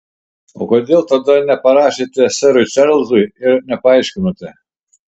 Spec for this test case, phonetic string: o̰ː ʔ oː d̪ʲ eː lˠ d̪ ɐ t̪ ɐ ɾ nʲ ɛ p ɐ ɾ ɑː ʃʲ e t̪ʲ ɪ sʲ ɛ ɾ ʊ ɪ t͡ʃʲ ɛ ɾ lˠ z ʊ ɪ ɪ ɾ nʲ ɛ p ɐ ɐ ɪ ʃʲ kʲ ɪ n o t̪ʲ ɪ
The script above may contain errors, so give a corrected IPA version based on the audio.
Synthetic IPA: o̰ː k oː d̪ʲ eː lˠ t̪ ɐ d̪ ɐ nʲ ɛ p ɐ ɾ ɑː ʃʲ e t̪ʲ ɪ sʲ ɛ ɾ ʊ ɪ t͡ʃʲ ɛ ɾ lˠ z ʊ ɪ ɪ ɾ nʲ ɛ p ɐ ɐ ɪ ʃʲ kʲ ɪ n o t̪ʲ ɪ